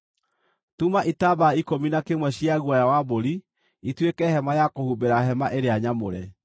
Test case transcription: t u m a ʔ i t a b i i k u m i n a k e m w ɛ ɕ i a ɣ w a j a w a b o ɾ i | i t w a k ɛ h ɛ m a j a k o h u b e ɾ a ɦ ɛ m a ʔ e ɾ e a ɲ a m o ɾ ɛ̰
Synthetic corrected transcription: t u m a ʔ i t a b a i k o m i n a k e m w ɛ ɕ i a ɣ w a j a w a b o ɾ i | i t w e k ɛ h ɛ m a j a k o h u b e ɾ a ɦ ɛ m a ʔ e ɾ e a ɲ a m o ɾ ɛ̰